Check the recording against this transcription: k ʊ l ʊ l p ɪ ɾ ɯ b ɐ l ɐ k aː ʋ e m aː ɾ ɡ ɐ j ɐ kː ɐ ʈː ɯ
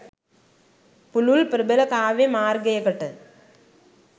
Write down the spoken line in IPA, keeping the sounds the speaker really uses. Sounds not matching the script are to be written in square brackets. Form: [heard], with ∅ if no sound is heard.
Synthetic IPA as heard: [p] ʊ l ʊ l p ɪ ɾ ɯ b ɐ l ɐ k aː ʋ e m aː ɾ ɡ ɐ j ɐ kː ɐ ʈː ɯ